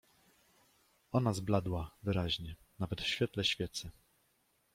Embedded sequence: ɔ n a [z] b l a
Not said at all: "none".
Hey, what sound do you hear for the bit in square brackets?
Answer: z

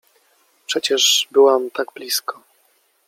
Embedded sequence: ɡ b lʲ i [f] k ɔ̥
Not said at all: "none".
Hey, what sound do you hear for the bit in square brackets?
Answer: s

